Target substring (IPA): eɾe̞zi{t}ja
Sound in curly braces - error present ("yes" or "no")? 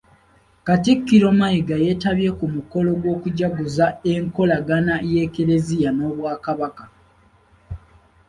yes